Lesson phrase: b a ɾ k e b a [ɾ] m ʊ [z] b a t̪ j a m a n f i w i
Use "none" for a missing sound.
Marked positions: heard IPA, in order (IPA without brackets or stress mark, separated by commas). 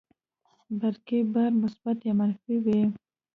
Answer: ɾ, s